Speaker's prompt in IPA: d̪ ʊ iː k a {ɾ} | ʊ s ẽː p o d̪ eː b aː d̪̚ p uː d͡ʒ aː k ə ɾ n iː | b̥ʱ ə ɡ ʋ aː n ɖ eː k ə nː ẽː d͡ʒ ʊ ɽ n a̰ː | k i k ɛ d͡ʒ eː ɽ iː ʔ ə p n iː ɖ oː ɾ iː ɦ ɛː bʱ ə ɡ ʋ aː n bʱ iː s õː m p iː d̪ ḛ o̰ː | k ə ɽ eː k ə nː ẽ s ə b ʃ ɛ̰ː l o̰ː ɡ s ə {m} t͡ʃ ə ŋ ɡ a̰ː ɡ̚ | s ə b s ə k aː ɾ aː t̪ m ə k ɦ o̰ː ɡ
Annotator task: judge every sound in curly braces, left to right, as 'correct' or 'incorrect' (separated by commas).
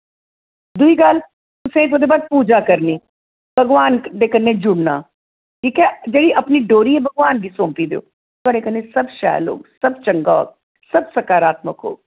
incorrect, incorrect